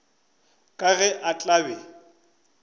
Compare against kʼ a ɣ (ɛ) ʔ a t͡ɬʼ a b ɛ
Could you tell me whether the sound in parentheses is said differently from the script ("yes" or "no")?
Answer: no